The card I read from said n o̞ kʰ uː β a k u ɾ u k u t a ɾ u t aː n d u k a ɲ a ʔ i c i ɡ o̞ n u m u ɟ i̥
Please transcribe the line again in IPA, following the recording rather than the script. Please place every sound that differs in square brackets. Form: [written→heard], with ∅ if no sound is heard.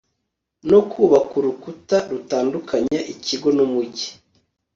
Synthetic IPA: n o̞ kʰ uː β a k u ɾ u k u t a ɾ u t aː n d u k a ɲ a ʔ i c i ɡ o̞ n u m u ɟ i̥